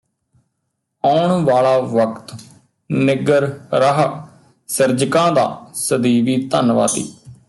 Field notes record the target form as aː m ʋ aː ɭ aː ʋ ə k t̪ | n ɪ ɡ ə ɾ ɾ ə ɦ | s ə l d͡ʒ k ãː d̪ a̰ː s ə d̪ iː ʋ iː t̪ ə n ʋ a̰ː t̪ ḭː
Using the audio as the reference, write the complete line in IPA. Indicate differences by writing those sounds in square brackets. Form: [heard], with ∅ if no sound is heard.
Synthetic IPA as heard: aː [ɳ] ʋ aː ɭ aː ʋ ə k t̪ | n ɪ ɡ ə ɾ ɾ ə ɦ | s ə [ɾ] d͡ʒ k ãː d̪ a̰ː s ə d̪ iː ʋ iː t̪ ə n ʋ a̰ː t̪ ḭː